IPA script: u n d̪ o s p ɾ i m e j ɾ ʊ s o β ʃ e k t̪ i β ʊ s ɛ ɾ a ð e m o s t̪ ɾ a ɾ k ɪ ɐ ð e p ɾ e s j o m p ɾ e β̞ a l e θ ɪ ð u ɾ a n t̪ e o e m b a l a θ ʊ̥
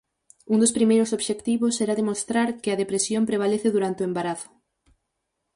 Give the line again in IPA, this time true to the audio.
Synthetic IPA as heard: u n d̪ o s p ɾ i m e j ɾ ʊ s o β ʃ e k t̪ i β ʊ s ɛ ɾ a ð e m o s t̪ ɾ a ɾ k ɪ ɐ ð e p ɾ e s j o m p ɾ e β̞ a l e θ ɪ ð u ɾ a n t̪ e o e m b a ɾ a θ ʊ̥